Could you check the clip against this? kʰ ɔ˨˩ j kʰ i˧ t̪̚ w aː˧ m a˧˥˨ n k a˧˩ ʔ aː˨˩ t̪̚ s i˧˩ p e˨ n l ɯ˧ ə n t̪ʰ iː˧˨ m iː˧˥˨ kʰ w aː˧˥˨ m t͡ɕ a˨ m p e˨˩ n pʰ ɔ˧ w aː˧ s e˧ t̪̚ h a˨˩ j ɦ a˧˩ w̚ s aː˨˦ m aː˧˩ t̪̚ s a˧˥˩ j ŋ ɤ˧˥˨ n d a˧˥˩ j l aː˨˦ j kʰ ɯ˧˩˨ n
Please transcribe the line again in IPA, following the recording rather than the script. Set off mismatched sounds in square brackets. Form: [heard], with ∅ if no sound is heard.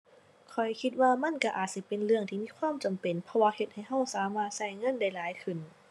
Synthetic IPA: kʰ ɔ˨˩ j kʰ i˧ t̪̚ w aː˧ m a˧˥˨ n k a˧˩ ʔ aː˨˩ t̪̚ s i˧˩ p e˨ n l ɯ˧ ə [ŋ] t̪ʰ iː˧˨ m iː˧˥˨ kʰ w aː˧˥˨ m t͡ɕ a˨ m p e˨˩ n pʰ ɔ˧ w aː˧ [h] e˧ t̪̚ h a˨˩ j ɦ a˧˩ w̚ s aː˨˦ m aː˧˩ t̪̚ s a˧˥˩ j ŋ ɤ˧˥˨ n d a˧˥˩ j l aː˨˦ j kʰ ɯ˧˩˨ n

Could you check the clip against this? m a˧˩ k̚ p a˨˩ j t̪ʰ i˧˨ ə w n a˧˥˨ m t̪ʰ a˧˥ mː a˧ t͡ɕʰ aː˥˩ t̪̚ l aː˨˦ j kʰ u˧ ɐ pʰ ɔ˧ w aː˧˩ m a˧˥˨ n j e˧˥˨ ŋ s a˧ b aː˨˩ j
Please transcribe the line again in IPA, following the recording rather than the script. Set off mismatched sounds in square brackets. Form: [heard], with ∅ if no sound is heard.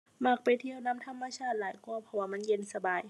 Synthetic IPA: m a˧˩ k̚ p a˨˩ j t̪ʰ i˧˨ ə w n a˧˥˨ m t̪ʰ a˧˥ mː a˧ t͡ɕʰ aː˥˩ t̪̚ l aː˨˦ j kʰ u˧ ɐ pʰ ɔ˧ w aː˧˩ m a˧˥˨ n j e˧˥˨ [n] s a˧ b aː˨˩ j

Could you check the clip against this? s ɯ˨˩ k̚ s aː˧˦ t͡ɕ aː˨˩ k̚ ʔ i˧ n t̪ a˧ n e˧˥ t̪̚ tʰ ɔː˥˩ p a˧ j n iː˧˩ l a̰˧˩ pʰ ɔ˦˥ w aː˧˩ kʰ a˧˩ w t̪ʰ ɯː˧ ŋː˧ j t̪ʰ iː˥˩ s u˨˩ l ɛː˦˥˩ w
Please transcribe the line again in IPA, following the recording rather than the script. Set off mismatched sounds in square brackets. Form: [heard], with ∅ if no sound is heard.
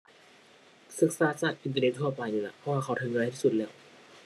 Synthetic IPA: s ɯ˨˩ k̚ s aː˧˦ t͡ɕ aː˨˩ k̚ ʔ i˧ n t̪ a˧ n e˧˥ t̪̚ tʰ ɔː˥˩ p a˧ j n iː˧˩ l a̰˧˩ pʰ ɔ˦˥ w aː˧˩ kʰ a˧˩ w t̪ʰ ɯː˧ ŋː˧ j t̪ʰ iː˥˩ s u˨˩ l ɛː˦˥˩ w

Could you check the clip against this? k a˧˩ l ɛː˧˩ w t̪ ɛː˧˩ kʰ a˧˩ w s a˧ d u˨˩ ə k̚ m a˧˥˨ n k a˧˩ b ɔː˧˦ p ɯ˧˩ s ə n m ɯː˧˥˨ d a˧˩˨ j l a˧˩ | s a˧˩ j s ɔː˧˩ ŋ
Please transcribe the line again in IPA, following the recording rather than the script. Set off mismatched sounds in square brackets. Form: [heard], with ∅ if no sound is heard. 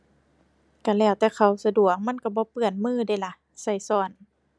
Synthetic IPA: k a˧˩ l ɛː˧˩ w t̪ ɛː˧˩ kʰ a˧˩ w s a˧ d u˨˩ ə k̚ m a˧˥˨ n k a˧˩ b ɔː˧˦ p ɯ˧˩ [∅] ə n m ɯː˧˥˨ d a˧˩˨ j l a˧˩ | s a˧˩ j s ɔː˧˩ [n]

